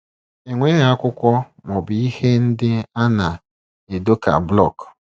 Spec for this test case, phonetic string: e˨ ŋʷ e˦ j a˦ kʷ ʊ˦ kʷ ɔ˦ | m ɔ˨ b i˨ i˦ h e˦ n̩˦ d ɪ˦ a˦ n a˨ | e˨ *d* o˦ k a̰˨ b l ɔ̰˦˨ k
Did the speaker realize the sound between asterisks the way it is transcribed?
yes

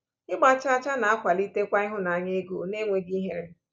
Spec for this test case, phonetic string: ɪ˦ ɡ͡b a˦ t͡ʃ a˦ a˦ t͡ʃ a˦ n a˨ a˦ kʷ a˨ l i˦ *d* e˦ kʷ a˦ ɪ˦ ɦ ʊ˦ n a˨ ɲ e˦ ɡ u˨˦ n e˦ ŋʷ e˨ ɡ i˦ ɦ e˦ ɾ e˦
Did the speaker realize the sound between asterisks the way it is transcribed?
no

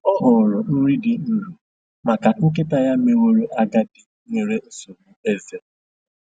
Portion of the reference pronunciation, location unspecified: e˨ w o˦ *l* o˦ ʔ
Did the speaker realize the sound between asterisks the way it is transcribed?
no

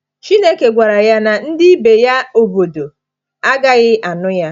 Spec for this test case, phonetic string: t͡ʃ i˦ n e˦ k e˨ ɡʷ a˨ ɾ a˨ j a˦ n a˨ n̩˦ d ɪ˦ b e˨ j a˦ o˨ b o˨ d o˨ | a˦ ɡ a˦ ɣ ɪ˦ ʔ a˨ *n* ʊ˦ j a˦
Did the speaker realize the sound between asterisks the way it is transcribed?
yes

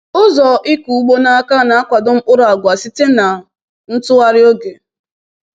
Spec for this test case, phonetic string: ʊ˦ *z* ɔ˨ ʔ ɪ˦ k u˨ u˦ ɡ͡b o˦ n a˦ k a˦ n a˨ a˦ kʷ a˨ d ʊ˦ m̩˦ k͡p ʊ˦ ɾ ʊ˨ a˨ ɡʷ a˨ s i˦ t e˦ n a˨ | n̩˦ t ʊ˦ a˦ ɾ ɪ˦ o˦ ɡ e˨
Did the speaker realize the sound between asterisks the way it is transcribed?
yes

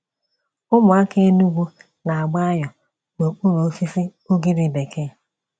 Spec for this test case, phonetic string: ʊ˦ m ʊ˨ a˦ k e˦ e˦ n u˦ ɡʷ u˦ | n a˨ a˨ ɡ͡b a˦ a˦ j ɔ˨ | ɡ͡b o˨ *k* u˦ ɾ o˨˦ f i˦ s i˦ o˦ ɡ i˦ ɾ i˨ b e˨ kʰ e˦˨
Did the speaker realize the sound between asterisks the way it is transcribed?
no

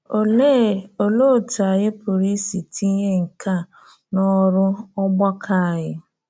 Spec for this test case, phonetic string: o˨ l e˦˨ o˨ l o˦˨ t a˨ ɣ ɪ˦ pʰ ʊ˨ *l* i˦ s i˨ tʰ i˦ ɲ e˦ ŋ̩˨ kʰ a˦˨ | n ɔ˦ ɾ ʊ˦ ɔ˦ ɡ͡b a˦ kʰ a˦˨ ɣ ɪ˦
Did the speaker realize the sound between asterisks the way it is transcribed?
no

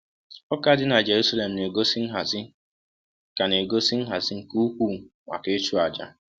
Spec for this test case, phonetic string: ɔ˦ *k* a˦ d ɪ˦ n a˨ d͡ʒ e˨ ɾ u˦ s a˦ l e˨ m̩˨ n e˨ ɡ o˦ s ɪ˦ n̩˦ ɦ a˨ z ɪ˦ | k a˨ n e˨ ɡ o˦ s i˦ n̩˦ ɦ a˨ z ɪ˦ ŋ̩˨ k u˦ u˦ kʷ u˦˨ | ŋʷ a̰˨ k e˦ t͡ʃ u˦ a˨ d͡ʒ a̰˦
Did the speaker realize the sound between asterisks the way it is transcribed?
yes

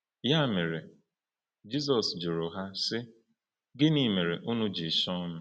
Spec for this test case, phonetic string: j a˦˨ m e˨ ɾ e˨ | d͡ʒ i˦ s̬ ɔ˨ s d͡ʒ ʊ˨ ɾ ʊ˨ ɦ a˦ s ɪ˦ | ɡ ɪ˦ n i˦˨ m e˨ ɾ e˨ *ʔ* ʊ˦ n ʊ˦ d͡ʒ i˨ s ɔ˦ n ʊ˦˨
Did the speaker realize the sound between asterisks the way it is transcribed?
yes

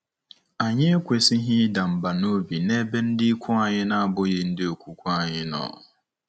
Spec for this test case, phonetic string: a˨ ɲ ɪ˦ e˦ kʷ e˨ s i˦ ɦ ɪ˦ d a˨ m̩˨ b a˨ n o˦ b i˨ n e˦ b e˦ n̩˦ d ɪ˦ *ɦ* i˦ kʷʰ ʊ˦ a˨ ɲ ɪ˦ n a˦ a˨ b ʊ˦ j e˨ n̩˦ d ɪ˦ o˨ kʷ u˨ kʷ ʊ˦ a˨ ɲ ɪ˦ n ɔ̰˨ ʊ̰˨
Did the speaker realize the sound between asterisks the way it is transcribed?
no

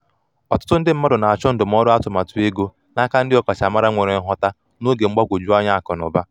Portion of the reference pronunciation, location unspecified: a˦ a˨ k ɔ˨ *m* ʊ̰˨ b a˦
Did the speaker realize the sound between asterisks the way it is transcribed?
no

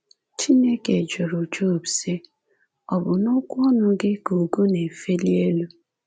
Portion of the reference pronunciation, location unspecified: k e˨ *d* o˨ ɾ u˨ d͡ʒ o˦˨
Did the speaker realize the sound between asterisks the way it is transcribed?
no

